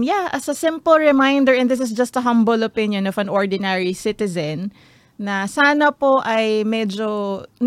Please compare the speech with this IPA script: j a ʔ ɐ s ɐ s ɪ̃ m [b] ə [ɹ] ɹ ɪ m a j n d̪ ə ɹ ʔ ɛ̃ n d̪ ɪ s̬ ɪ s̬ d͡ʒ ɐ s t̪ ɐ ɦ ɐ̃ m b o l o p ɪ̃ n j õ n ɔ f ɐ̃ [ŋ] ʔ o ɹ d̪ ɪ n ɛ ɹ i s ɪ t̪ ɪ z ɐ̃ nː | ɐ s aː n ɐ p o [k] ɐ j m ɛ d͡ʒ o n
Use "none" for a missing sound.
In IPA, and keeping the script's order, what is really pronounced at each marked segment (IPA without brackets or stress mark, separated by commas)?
p, l, n, ʔ